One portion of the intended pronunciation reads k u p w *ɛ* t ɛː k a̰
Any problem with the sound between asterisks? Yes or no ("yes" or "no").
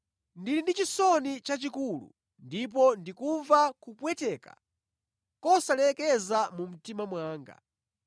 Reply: no